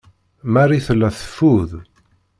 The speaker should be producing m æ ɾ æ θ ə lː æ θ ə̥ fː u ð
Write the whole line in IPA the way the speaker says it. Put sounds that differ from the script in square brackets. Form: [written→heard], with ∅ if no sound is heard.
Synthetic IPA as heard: m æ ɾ [æ→i] θ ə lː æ θ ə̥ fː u ð

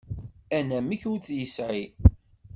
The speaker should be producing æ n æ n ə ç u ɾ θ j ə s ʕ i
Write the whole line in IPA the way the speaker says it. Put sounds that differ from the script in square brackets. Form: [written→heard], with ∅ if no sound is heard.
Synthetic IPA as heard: æ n æ [n→m] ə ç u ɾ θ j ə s ʕ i

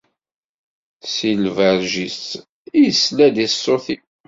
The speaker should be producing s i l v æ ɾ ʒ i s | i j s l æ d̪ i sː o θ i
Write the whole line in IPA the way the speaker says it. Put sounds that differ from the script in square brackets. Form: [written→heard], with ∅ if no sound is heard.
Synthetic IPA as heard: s i l v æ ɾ ʒ i s | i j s l æ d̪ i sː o θ i

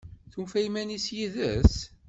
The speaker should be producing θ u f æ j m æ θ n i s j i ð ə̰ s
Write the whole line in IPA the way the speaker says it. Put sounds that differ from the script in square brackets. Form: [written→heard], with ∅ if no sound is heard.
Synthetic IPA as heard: θ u f æ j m æ [θ→∅] n i s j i ð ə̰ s

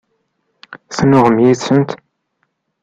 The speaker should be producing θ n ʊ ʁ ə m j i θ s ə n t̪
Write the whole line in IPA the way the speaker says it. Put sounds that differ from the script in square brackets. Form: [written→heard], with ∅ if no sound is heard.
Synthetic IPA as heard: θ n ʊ ʁ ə m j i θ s ə n t̪

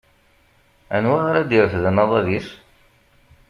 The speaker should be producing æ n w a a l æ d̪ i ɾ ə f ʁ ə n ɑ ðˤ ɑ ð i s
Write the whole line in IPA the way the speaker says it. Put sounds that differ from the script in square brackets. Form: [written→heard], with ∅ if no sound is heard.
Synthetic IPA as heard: æ n w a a [l→ɾ] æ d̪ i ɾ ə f [ʁ→ð] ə n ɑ ðˤ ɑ ð i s

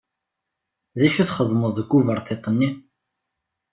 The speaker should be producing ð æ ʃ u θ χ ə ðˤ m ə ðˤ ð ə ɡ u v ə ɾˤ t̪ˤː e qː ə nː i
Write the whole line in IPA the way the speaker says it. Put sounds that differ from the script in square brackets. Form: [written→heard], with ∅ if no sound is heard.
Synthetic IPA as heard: ð æ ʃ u θ χ ə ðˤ m ə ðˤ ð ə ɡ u v ə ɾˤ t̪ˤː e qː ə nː i

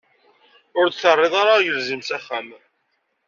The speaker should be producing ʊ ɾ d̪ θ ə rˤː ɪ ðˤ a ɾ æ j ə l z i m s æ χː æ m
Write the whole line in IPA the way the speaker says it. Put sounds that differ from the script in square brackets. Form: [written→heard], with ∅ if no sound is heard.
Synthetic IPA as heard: ʊ ɾ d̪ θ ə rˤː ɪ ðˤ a ɾ [æ→a] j ə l z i m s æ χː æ m

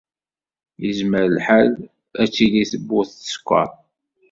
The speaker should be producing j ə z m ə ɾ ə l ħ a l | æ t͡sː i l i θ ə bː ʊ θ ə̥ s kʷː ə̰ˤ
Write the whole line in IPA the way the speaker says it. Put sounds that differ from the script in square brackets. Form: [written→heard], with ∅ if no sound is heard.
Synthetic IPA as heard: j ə z m ə ɾ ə l ħ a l | æ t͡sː i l i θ ə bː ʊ θ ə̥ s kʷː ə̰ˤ

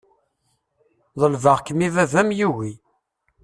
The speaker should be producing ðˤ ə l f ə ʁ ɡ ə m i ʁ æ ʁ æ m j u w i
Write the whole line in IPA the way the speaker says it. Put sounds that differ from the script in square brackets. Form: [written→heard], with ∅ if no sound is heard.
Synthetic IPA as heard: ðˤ ə l [f→v] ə ʁ [ɡ→k] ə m i [ʁ→v] æ [ʁ→v] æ m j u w i

